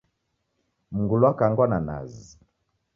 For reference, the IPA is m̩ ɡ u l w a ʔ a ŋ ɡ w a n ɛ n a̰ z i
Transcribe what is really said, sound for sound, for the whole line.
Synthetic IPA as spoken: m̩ ɡ u l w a k a ŋ ɡ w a n a n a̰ z i